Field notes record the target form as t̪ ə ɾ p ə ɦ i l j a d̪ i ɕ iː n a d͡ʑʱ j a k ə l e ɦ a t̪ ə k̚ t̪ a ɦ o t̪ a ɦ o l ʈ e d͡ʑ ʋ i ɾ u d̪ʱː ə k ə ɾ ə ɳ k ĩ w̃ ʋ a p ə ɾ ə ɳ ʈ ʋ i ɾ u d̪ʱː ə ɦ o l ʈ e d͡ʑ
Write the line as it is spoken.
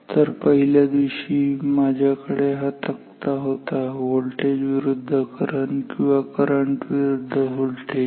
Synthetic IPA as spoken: t̪ ə ɾ p ə ɦ i l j a d̪ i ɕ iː m a d͡ʑʱ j a k ə ɽ e ɦ a t̪ ə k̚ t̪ a ɦ o t̪ a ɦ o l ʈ e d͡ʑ ʋ i ɾ u d̪ʱː ə k ə ɾ ə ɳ k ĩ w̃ ʋ a k ə ɾ ə ɳ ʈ ʋ i ɾ u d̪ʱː ə ɦ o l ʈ e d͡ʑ